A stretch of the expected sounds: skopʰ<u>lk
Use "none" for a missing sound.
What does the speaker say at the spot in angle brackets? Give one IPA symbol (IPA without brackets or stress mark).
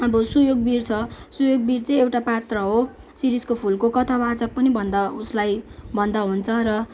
u